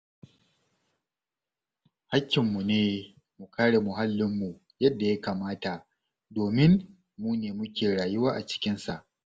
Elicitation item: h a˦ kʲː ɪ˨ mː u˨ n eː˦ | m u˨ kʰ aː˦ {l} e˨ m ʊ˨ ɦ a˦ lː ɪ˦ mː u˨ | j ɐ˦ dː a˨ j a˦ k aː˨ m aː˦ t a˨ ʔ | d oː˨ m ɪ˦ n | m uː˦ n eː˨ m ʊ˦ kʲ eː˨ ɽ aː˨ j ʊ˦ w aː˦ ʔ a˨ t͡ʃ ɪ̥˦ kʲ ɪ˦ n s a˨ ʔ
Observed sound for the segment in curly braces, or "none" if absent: ɽ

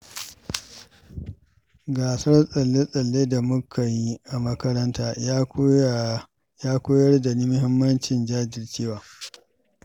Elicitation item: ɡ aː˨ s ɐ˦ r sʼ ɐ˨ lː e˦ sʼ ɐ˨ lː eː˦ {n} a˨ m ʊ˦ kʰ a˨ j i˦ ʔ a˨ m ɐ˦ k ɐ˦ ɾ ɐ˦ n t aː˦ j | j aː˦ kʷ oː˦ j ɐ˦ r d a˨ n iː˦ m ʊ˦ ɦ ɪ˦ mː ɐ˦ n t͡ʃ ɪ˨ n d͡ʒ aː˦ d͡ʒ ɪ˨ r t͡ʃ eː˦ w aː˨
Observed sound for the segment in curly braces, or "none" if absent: d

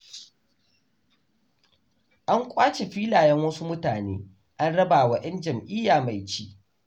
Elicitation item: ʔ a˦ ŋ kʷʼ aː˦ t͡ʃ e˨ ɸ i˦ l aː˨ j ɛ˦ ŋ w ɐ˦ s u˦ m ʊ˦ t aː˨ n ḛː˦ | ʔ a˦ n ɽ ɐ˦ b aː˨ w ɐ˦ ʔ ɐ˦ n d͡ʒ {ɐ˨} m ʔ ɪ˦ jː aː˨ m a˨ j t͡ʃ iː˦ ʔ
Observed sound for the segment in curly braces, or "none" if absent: ɐ˨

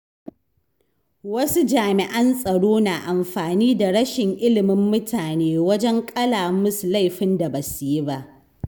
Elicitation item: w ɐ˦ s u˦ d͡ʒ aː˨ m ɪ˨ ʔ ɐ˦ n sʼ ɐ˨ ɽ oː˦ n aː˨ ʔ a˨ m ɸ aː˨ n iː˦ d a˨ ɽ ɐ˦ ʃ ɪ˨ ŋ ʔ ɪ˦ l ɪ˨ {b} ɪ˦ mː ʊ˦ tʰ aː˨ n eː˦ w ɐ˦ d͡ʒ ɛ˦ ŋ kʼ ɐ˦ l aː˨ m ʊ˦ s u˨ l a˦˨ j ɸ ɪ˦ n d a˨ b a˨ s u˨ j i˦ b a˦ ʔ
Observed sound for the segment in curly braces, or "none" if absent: m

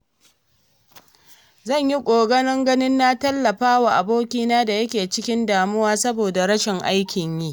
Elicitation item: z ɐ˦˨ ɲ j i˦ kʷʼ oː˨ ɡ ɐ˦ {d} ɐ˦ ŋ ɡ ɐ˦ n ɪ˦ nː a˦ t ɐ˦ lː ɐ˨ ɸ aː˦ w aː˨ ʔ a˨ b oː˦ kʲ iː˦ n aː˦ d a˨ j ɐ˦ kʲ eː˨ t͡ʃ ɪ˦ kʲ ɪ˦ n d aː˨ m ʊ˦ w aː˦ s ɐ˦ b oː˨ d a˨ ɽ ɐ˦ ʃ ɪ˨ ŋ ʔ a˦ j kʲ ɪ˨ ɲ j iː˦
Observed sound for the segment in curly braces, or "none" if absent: n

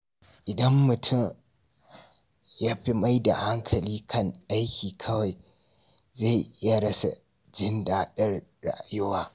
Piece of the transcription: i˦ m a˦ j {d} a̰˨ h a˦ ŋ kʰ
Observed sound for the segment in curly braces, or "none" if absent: d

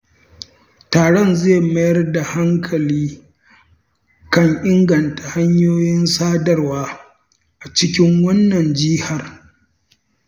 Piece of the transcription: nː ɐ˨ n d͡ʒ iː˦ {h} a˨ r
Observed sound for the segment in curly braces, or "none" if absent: h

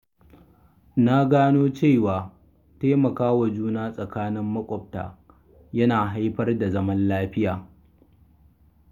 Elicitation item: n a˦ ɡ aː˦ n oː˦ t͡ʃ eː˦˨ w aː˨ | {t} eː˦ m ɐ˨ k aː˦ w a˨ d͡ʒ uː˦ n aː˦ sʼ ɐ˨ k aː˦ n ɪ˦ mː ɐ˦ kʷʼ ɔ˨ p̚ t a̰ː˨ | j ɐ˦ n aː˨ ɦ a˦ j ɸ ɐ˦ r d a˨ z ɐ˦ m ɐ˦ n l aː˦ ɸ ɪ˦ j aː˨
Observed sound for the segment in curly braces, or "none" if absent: t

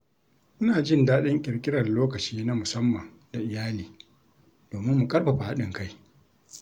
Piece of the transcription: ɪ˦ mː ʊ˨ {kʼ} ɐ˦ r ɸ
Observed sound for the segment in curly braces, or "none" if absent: kʼ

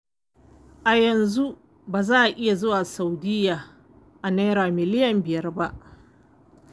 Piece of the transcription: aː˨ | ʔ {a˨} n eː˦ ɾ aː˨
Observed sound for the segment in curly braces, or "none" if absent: a˨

